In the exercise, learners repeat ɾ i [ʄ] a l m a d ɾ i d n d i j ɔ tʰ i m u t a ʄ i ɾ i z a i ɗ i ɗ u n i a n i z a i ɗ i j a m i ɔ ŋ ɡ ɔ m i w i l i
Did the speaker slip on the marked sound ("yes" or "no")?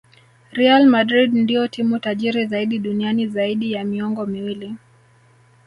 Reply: yes